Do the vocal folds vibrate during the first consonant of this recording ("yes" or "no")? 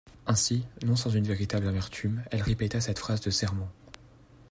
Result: no